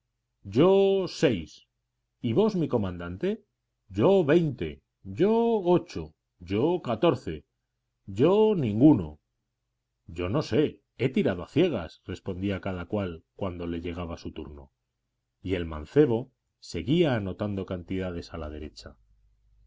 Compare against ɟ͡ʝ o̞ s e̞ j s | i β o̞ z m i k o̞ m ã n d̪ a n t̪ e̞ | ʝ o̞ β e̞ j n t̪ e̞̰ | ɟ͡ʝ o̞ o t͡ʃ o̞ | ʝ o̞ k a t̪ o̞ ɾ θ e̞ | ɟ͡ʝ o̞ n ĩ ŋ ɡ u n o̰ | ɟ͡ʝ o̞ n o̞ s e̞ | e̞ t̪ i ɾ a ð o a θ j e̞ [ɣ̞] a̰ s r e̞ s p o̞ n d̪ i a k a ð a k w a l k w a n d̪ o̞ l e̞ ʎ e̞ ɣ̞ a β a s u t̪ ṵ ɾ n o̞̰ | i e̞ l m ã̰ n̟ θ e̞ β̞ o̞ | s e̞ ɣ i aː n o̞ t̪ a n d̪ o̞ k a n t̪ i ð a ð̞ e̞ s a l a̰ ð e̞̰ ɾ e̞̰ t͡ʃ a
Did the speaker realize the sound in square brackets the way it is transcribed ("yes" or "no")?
yes